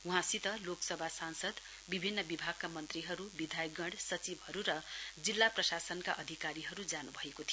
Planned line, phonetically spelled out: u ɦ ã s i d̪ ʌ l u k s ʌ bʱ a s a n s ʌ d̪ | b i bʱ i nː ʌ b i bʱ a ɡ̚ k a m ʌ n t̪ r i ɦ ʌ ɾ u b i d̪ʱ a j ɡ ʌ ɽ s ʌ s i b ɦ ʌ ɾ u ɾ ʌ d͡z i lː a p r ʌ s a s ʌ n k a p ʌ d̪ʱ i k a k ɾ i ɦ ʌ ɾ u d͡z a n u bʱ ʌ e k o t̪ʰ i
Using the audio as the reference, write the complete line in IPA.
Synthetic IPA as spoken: u ɦ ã s i t̪ ʌ l o k s ʌ bʱ a s a n s ʌ d̪ | b i bʱ i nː ʌ b i bʱ a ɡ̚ k a m ʌ n t̪ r i ɦ ʌ ɾ u b i d̪ʱ a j ɡ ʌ ɽ s ʌ t͡s i b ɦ ʌ ɾ u ɾ ʌ d͡z i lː a p r ʌ s a s ʌ n k a ʔ ʌ d̪ʱ i k a ɾ i ɦ ʌ ɾ u d͡z a n u bʱ ʌ e k o t̪ʰ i